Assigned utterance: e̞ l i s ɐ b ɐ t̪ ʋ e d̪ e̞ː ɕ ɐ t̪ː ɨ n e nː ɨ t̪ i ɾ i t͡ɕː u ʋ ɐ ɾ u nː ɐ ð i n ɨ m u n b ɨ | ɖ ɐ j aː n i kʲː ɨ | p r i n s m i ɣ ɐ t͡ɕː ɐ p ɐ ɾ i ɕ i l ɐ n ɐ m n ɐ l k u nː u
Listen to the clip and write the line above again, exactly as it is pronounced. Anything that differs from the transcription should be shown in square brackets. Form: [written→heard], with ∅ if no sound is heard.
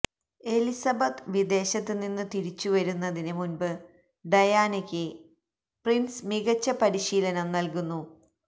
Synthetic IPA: e̞ l i s ɐ b ɐ t̪ ʋ [e→i] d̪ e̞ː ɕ ɐ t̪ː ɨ n [e→i] nː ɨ t̪ i ɾ i t͡ɕː u ʋ ɐ ɾ u nː ɐ ð i n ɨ m u n b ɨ | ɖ ɐ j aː n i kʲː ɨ | p r i n s m i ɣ ɐ t͡ɕː ɐ p ɐ ɾ i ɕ [i→iː] l ɐ n ɐ m n ɐ l k u nː u